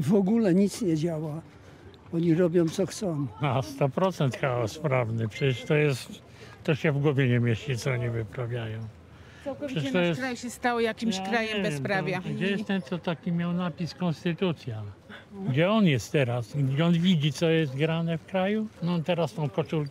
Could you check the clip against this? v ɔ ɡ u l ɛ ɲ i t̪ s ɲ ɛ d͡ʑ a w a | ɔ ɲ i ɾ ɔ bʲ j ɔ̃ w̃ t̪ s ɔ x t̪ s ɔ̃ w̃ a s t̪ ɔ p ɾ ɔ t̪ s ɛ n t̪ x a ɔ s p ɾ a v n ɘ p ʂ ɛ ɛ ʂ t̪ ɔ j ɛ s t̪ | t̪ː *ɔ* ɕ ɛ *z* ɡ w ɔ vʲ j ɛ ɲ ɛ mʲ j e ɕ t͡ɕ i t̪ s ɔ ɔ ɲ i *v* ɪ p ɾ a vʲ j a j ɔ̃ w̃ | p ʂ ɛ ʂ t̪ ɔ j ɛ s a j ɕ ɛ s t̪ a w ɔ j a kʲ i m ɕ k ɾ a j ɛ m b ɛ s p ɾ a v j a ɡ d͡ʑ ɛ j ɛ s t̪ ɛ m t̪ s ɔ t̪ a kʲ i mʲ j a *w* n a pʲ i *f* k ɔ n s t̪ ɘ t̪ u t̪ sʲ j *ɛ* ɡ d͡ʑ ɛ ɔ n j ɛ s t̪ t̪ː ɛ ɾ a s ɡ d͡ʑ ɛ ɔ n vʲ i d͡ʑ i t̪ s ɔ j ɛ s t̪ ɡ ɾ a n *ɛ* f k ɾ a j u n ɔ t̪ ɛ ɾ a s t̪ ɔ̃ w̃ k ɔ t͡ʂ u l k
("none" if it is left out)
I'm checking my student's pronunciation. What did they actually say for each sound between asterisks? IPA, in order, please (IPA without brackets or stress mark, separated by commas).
ɔ, v, v, w, s, a, ɛ